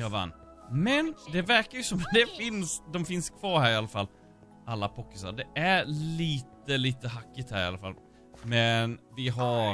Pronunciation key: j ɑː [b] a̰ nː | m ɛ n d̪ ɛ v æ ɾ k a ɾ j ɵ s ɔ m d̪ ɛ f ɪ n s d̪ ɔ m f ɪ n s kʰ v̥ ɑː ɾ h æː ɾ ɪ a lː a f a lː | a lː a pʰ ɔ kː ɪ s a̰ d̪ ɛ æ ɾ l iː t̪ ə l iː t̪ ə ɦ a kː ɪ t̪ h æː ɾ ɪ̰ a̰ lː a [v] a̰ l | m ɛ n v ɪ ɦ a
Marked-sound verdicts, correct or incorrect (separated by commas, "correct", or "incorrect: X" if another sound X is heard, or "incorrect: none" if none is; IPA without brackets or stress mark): incorrect: v, incorrect: f